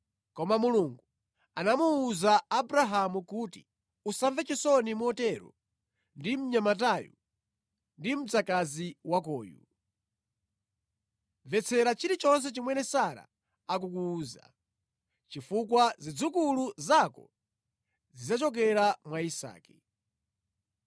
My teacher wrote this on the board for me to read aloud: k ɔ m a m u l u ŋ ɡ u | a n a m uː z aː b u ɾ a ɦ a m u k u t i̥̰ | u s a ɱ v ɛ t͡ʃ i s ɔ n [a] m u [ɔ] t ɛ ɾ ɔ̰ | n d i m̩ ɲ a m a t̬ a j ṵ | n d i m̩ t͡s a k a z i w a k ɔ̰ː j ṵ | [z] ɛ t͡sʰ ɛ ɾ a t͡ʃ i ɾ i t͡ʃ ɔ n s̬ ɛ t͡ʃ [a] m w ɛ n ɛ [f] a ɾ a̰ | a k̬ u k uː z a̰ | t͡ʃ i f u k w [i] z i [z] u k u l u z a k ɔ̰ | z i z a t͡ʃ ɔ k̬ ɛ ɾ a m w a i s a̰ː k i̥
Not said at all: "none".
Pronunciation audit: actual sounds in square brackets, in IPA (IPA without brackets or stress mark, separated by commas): i, ɔ, v, i, s, a, d͡z